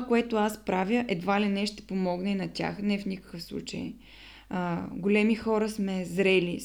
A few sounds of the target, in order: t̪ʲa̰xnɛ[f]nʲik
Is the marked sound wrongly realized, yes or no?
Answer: no